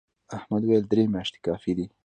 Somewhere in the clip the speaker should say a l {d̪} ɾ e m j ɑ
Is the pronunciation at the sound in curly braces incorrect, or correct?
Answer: correct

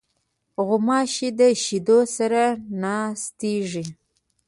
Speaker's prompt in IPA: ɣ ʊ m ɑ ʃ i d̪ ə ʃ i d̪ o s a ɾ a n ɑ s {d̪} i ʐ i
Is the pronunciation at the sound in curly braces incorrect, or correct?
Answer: incorrect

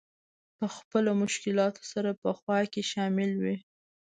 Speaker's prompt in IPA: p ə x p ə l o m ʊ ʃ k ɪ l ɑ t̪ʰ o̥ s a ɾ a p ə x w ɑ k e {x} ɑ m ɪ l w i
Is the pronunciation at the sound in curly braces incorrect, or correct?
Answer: incorrect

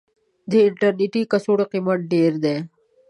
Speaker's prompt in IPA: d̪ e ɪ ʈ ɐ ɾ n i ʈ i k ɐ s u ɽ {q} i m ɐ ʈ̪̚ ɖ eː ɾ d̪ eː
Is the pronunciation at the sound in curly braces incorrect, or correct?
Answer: correct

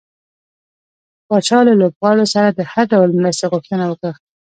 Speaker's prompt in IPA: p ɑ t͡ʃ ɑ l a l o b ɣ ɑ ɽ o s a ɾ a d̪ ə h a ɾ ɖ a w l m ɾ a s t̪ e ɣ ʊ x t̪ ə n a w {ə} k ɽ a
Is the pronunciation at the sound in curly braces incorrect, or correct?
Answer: correct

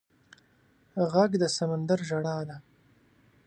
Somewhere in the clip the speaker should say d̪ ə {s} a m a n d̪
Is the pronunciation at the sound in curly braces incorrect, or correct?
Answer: correct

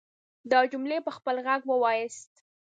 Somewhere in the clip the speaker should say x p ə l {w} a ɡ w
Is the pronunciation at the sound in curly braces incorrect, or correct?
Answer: incorrect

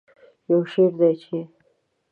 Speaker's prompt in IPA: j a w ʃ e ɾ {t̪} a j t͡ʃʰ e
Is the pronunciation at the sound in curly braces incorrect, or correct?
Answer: incorrect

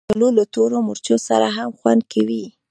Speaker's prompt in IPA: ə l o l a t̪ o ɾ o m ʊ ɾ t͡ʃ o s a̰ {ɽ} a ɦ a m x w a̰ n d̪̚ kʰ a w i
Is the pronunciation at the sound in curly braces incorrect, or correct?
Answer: incorrect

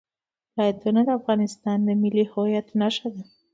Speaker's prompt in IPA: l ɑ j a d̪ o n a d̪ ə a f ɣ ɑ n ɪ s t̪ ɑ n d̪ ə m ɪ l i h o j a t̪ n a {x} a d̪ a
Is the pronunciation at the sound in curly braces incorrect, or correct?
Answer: incorrect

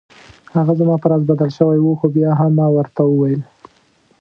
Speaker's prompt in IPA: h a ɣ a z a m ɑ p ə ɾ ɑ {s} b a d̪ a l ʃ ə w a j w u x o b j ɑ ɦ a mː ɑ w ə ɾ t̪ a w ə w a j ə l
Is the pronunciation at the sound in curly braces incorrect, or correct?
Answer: incorrect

